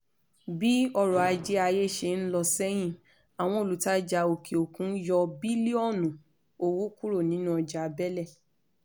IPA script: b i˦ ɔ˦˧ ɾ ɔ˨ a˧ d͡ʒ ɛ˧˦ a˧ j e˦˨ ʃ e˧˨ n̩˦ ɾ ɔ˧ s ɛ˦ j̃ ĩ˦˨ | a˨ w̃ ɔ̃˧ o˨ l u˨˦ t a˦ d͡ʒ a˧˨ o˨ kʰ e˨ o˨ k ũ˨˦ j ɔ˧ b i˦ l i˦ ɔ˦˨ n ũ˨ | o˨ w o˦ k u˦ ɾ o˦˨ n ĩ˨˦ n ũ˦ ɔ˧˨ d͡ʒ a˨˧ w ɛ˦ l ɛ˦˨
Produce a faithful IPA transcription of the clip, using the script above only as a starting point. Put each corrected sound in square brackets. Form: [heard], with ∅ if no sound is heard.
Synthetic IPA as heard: b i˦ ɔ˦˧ ɾ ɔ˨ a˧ d͡ʒ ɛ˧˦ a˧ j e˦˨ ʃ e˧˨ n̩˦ [l] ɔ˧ s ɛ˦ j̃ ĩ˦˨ | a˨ w̃ ɔ̃˧ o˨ l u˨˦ t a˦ d͡ʒ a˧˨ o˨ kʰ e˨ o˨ k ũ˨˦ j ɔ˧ b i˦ l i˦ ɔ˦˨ n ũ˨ | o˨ w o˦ k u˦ ɾ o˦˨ n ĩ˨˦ n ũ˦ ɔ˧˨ d͡ʒ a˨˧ [b] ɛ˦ l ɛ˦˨